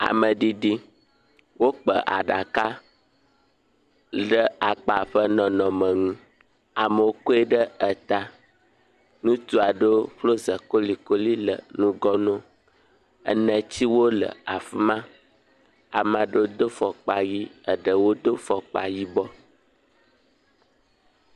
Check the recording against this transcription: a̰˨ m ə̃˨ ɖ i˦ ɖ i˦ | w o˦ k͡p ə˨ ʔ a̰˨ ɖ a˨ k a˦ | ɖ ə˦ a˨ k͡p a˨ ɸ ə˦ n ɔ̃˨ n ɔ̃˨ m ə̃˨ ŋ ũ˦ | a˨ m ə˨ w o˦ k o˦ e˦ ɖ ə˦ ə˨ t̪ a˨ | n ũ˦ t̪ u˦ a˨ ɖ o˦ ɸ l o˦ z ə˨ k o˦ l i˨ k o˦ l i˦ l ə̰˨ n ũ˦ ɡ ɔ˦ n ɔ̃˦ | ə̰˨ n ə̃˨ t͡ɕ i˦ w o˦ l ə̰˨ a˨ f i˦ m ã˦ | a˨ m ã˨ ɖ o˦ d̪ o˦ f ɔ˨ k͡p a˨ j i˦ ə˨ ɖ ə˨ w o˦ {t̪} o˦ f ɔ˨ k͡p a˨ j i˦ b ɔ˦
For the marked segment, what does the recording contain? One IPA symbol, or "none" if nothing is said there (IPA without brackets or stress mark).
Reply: d̪